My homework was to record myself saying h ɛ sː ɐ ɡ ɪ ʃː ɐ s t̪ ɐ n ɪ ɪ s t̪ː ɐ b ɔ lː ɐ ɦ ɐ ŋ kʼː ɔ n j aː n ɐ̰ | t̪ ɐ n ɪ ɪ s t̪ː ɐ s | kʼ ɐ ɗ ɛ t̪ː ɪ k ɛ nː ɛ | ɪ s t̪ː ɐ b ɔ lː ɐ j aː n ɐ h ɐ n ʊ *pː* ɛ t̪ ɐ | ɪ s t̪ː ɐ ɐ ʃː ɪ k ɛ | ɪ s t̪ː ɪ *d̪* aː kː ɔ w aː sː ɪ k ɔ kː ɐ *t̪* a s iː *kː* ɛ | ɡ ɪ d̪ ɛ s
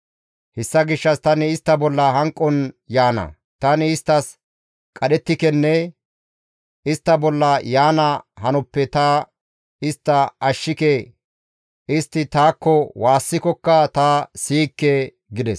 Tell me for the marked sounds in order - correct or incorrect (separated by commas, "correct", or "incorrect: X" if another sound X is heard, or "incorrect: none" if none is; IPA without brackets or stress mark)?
correct, incorrect: t̪, correct, correct